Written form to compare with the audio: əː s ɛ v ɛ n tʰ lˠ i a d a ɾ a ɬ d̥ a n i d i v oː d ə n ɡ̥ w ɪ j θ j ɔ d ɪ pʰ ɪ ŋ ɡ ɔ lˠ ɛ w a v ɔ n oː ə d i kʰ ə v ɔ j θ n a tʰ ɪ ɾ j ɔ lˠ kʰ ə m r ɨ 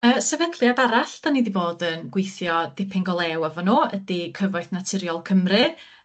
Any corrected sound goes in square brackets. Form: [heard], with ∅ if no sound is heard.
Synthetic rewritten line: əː s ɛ v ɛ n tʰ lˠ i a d a ɾ a ɬ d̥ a n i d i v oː d ə n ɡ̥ w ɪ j θ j ɔ d ɪ pʰ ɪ ŋ ɡ ɔ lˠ ɛ w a v ɔ n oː ə d i kʰ ə v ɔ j θ n a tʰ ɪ ɾ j ɔ lˠ kʰ ə m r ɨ